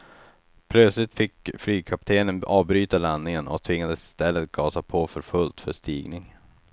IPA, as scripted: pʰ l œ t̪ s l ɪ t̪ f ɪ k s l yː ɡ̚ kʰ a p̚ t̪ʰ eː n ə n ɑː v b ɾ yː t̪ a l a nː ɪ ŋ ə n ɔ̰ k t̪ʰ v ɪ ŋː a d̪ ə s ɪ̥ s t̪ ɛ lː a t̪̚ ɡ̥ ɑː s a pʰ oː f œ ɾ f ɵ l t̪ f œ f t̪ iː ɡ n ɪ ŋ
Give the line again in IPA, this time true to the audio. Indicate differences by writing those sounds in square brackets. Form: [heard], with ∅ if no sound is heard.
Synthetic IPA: pʰ l œ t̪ s l ɪ t̪ f ɪ k [f] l yː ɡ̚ kʰ a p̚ t̪ʰ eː n ə n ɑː v b ɾ yː t̪ a l a nː ɪ ŋ ə n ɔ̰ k t̪ʰ v ɪ ŋː a d̪ ə s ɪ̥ s t̪ ɛ lː [ə] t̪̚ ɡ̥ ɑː s a pʰ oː f œ ɾ f ɵ l t̪ f œ [ʂ] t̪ iː ɡ n ɪ ŋ